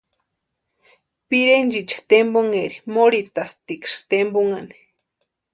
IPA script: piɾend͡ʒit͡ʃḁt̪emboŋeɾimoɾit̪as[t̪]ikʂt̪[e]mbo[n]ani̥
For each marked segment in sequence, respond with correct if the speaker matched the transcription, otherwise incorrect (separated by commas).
correct, correct, incorrect